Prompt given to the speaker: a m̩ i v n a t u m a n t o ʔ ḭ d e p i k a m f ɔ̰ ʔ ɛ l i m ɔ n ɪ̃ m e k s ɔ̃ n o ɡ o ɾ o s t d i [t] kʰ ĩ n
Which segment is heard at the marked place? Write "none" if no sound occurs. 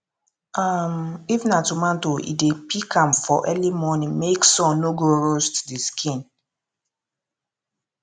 s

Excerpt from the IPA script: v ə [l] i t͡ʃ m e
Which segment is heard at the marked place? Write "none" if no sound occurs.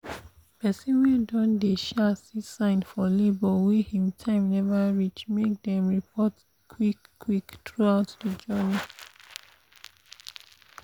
ɹ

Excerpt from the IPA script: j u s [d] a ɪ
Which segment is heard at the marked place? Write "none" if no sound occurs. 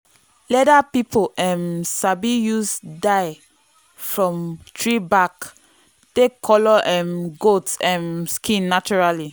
d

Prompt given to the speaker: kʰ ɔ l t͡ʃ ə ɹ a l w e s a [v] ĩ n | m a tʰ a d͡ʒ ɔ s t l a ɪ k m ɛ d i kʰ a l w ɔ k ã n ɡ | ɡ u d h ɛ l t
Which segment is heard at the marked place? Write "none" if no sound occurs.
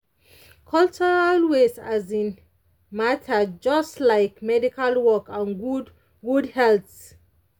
z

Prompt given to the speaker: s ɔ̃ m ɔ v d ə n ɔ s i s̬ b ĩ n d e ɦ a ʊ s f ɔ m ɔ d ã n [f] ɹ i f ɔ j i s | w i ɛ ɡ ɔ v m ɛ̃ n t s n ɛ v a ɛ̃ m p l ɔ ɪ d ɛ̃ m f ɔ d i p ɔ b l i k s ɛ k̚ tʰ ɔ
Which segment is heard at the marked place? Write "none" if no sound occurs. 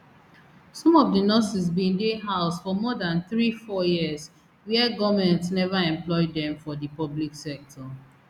θ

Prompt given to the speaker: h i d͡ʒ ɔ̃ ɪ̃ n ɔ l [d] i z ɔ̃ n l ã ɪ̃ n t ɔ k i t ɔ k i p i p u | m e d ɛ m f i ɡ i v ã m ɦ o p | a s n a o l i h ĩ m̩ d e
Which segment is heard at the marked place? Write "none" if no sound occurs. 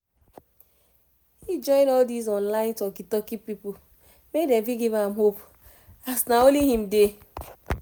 d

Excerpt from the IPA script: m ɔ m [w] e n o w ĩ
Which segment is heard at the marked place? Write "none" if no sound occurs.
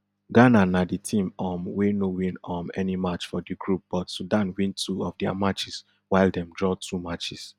w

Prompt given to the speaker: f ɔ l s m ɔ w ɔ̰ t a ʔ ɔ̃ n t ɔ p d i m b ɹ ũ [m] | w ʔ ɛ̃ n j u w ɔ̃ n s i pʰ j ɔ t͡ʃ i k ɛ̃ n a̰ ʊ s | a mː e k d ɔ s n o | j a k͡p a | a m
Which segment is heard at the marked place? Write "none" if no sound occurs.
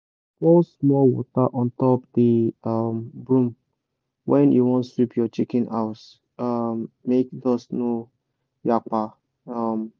m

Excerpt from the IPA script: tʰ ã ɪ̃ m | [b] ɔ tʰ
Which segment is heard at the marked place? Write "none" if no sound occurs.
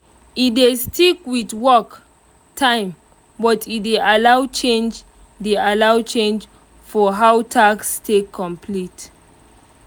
b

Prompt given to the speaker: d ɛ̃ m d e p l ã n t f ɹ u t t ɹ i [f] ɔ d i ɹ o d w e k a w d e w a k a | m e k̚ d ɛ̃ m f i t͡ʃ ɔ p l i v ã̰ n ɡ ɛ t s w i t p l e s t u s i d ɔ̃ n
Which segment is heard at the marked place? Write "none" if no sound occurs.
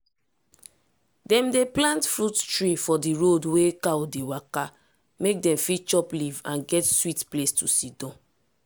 f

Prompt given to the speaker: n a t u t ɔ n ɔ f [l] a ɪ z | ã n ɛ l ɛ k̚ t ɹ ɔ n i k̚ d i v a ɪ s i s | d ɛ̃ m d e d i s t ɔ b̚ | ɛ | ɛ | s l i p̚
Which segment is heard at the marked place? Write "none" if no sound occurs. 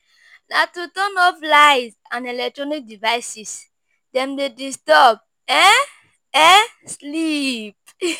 l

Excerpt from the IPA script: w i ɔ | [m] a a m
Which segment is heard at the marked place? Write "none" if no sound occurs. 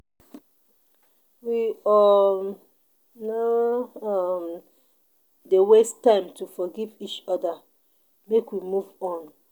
n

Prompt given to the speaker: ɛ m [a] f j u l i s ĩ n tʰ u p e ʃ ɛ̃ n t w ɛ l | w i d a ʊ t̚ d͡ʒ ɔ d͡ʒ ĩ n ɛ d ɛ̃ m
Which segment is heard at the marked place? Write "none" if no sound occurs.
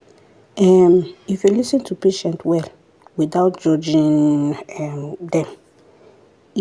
i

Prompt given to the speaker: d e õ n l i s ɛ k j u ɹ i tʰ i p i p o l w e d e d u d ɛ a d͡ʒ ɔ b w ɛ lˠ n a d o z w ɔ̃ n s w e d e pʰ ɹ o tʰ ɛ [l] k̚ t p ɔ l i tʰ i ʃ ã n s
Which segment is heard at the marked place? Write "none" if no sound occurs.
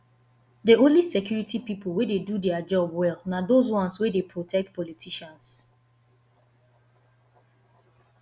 none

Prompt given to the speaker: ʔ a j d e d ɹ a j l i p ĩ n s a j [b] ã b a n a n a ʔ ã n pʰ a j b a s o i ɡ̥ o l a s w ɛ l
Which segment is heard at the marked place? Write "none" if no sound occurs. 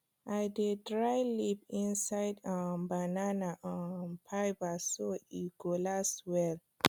d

